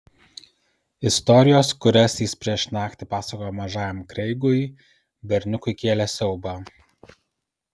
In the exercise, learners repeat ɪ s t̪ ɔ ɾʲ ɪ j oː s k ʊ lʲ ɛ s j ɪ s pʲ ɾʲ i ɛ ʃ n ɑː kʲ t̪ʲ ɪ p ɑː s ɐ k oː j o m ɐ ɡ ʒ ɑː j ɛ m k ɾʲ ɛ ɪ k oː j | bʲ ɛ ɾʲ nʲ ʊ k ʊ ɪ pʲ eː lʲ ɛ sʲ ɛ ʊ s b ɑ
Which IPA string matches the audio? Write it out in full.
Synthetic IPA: ɪ s t̪ ɔ ɾʲ ɪ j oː s k ʊ ɾʲ ɛ s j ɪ s pʲ ɾʲ i ɛ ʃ n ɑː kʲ t̪ʲ ɪ p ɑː s ɐ k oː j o m ɐ ʒ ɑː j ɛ m k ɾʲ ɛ ɪ ɡ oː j | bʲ ɛ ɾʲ nʲ ʊ k ʊ ɪ kʲ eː lʲ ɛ sʲ ɛ ʊ b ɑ